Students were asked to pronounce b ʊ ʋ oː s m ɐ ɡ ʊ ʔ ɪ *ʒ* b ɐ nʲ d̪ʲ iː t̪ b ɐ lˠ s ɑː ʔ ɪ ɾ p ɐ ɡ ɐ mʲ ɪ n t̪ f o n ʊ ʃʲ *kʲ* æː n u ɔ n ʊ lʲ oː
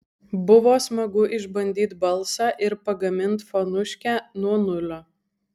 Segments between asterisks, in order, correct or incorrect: correct, correct

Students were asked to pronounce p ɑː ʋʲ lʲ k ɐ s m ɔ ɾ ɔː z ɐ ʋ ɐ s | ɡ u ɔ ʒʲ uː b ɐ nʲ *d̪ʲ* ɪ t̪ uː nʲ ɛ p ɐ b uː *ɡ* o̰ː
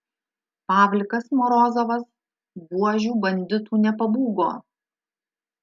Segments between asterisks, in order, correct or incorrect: correct, correct

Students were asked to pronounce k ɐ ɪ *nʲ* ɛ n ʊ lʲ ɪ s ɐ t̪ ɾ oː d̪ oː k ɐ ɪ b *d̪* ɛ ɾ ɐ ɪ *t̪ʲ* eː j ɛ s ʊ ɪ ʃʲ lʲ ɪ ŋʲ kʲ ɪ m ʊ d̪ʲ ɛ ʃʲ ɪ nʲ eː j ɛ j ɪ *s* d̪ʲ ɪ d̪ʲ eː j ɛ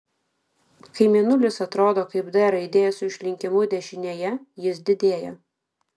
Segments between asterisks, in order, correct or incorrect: incorrect, correct, incorrect, correct

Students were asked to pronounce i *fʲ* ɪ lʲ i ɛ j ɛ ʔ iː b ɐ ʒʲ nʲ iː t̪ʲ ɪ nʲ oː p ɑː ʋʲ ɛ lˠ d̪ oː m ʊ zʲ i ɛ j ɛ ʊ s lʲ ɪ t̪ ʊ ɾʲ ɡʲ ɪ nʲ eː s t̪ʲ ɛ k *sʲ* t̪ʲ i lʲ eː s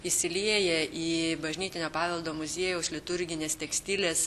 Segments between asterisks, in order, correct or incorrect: incorrect, correct

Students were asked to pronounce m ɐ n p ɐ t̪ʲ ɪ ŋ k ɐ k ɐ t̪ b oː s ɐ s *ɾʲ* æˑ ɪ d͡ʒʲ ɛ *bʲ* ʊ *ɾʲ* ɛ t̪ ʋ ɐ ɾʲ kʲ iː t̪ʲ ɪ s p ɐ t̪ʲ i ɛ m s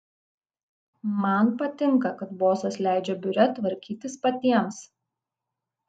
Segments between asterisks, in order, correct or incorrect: incorrect, correct, correct

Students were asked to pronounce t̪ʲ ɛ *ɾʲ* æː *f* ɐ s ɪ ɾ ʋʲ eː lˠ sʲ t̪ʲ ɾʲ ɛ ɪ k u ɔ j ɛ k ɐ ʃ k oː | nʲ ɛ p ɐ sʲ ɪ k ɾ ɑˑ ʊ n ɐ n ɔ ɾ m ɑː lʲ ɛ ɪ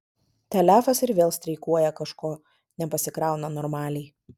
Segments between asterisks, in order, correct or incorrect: incorrect, correct

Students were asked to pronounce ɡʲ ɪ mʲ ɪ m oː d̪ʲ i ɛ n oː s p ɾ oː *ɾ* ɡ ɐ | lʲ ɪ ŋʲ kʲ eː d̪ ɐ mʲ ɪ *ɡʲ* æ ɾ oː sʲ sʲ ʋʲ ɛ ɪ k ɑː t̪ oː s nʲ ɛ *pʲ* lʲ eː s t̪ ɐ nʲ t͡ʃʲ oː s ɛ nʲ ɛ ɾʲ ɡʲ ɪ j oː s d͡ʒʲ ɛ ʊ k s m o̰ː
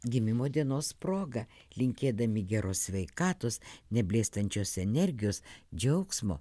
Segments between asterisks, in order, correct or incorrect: incorrect, correct, incorrect

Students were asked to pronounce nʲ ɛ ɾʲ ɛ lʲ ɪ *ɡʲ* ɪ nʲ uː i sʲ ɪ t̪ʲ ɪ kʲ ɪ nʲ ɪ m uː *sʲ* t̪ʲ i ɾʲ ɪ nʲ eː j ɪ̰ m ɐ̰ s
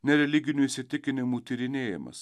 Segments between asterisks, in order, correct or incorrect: correct, incorrect

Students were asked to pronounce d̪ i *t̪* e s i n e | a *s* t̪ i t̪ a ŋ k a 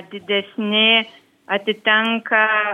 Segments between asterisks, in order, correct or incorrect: incorrect, incorrect

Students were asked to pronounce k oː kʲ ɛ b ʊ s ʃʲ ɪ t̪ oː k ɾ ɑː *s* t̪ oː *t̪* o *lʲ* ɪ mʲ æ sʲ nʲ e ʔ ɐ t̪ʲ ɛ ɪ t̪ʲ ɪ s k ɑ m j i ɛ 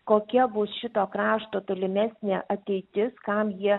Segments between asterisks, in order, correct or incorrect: incorrect, correct, correct

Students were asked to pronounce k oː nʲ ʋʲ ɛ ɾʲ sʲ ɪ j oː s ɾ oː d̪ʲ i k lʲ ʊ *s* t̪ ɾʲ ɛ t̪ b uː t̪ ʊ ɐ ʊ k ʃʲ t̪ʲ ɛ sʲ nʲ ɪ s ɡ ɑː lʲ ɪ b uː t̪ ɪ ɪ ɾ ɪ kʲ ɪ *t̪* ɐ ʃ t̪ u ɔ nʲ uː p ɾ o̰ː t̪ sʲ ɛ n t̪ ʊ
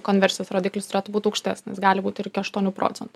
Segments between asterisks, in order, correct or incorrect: correct, incorrect

